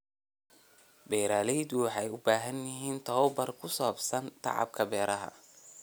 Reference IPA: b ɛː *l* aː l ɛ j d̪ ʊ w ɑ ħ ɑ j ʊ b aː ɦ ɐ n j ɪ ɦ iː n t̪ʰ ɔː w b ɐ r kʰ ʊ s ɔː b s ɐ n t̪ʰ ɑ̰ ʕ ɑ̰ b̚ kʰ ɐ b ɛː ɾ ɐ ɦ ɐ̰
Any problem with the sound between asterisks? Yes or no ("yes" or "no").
yes